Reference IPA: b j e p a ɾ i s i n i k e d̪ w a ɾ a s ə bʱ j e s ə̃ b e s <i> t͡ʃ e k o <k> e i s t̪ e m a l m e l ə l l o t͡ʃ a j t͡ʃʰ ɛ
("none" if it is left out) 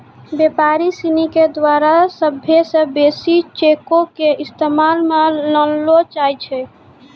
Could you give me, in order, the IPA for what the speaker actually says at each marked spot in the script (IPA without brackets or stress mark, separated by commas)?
i, k